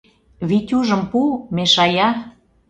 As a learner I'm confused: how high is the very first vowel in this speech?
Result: high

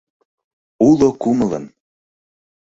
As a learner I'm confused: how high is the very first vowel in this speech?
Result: high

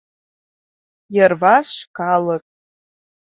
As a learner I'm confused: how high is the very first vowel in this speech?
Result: low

